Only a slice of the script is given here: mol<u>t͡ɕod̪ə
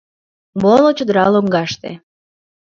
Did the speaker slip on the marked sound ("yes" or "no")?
yes